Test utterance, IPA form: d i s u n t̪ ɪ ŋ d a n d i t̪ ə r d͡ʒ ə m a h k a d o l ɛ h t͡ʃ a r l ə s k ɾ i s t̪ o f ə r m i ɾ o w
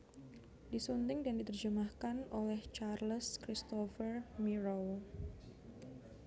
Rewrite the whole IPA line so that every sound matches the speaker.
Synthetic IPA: d i s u n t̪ ɪ ŋ d a n d i t̪ ə r d͡ʒ ə m a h k a n o l ɛ h t͡ʃ a r l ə s k ɾ i s t̪ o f ə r m i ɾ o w

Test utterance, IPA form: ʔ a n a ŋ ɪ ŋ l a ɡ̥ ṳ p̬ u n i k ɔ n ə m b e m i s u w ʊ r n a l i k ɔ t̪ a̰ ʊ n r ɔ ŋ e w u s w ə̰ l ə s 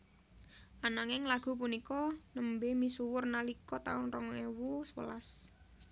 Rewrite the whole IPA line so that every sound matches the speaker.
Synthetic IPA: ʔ a n a ŋ ɪ ŋ l a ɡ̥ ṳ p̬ u n i k ɔ n ə m b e m i s u w ʊ r n a l i k ɔ t̪ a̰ ʊ n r ɔ ŋ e w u s w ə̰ l a s

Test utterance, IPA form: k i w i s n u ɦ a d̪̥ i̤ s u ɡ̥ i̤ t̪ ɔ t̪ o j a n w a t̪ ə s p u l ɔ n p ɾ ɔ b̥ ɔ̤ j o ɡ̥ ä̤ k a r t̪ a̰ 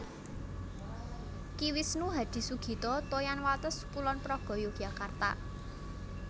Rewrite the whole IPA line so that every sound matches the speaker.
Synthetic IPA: k i w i s n u ɦ a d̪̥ i̤ s u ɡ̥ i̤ t̪ ɔ t̪ o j a n w a t̪ ə s p u l ɔ n p ɾ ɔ ɡ̥ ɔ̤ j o ɡ̥ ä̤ k a r t̪ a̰

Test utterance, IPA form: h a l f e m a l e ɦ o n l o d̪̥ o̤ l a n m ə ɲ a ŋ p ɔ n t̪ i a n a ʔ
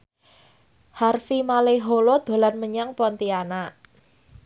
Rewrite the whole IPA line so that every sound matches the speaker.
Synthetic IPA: h a r f i m a l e ɦ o l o d̪̥ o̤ l a n m ə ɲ a ŋ p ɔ n t̪ i a n a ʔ

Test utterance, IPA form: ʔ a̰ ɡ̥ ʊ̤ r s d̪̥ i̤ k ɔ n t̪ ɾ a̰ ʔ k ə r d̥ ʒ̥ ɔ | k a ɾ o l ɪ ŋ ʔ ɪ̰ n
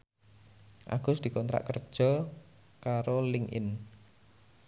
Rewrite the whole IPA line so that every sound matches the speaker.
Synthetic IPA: ʔ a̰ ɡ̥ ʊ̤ s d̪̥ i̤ k ɔ n t̪ ɾ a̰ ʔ k ə r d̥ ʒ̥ ɔ | k a ɾ o l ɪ ŋ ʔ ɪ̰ n

